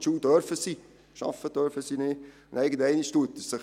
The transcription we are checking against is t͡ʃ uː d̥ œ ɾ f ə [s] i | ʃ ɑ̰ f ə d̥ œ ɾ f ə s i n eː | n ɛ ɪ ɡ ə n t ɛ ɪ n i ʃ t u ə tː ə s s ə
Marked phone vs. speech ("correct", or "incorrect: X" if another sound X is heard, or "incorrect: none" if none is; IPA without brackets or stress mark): correct